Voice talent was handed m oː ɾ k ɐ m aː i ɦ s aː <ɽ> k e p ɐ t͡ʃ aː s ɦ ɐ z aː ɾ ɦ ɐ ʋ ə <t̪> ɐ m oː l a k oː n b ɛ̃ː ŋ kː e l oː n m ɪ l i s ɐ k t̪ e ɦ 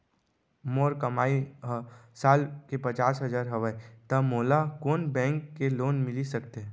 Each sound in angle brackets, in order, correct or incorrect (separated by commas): incorrect, correct